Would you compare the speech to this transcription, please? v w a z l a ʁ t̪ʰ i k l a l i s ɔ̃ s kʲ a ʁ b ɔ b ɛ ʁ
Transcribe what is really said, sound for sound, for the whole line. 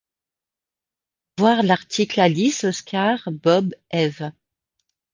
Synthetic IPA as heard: v w a ʁ l a ʁ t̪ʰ i k l a l i s ɔ s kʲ a ʁ b ɔ b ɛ v